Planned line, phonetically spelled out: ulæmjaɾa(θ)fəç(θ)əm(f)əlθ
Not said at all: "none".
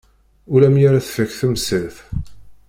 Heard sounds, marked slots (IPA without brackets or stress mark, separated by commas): θ, θ, s